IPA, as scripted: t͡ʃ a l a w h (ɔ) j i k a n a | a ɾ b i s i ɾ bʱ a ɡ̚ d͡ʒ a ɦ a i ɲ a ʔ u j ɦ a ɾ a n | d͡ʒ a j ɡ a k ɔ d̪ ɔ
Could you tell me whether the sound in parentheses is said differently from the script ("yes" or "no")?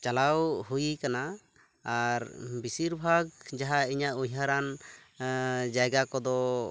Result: yes